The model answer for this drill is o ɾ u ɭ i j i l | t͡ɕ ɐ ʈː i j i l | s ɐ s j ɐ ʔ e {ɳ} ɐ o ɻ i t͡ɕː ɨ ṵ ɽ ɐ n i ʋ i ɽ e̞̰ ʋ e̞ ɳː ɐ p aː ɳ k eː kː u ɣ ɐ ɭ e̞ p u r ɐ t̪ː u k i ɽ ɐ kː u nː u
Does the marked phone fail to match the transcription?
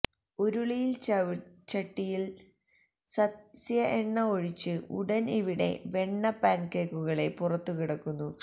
yes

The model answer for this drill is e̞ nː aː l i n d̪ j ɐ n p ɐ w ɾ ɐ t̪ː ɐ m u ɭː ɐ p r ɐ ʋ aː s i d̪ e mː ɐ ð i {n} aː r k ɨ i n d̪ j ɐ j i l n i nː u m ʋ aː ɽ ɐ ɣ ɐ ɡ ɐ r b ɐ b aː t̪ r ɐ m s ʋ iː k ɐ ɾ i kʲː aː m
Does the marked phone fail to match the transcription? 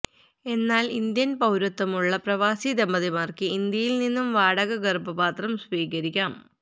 yes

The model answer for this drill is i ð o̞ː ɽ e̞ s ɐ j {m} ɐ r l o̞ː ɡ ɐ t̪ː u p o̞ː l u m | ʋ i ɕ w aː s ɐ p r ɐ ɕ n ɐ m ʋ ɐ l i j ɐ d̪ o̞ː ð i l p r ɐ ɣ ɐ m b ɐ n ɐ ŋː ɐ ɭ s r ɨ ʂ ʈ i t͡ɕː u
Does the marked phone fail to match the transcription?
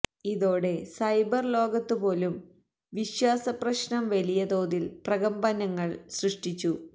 yes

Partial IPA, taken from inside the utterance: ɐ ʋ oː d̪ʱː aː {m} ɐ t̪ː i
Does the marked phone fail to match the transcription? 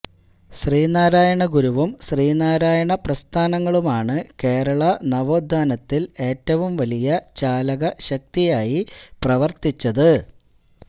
yes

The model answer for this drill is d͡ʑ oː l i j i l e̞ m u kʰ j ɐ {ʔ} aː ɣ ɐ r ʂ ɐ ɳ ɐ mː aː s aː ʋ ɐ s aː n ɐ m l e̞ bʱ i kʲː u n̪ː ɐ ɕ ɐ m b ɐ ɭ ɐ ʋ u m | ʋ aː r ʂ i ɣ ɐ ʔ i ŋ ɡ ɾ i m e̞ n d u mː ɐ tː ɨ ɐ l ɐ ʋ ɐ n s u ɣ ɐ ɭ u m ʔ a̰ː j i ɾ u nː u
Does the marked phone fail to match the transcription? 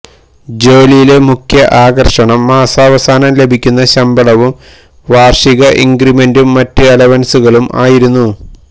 no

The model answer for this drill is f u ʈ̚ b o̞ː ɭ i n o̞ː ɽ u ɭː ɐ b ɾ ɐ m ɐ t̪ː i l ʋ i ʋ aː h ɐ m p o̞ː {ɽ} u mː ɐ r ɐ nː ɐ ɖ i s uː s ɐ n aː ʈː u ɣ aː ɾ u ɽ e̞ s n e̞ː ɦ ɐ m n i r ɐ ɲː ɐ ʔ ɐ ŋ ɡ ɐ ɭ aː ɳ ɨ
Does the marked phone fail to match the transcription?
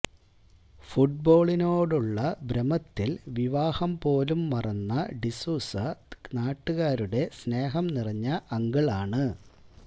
yes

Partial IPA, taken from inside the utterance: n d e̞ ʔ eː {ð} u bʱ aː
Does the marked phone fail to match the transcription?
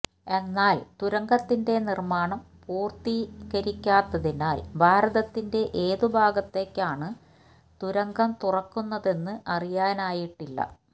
no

